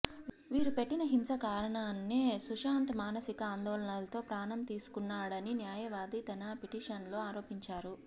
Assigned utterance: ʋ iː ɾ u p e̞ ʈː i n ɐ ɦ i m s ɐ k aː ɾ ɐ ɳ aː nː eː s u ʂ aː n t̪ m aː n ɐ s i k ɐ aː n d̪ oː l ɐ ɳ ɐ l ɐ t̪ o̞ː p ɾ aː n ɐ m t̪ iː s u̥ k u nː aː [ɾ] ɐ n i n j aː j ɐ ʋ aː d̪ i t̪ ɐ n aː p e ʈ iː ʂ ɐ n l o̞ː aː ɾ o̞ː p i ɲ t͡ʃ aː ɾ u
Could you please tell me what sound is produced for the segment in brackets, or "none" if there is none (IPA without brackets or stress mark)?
ɽ